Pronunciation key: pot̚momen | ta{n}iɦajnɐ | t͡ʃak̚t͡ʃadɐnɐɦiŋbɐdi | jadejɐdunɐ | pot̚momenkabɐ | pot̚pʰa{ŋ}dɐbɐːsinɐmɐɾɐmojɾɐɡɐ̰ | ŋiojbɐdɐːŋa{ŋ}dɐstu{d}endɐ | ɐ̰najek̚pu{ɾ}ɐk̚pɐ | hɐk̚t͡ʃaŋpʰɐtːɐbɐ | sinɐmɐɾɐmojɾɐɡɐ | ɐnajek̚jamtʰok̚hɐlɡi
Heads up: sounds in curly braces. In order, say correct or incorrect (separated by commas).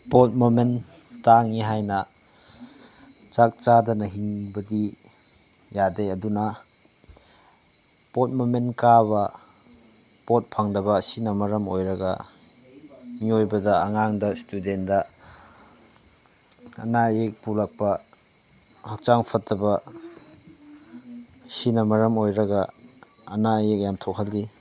incorrect, correct, correct, correct, incorrect